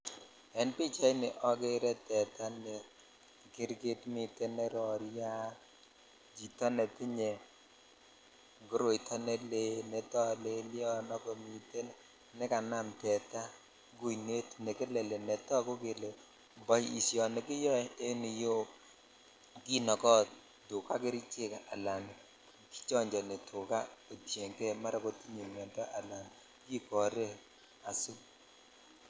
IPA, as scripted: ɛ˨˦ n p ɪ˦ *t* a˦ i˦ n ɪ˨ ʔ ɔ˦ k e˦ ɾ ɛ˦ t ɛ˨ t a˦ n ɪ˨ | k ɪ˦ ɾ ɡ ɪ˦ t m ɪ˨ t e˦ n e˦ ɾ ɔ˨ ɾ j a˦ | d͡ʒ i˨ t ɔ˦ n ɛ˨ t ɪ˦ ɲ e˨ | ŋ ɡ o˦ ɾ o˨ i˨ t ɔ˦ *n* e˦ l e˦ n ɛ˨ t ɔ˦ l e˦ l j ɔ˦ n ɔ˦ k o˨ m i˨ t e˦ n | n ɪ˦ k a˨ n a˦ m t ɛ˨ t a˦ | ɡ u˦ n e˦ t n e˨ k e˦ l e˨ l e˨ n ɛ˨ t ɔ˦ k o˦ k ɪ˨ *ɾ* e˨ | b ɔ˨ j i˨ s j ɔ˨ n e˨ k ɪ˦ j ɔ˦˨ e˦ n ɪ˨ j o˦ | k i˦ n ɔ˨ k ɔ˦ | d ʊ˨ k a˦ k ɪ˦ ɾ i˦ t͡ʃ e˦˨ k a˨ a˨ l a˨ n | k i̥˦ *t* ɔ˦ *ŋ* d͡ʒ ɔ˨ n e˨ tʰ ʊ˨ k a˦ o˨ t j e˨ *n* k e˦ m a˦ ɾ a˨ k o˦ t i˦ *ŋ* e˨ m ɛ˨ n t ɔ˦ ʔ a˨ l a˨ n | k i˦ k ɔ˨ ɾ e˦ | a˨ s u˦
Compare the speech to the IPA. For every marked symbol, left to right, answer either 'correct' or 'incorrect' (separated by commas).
incorrect, correct, incorrect, incorrect, incorrect, incorrect, incorrect